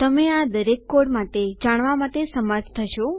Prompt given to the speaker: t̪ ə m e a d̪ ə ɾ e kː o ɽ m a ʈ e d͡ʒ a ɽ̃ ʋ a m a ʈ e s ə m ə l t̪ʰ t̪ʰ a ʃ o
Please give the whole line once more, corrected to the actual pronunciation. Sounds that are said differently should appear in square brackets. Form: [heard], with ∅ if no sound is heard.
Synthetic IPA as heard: t̪ ə m e a d̪ ə ɾ e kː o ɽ m a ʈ e d͡ʒ a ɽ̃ ʋ a m a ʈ e s ə m ə [ɾ] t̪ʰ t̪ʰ [ə] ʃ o